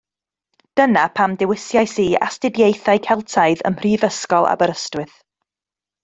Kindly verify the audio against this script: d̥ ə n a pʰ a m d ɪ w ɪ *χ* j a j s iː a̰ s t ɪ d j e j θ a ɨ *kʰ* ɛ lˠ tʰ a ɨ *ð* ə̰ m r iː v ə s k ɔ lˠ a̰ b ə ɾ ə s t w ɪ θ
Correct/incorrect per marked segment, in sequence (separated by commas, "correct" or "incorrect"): incorrect, correct, correct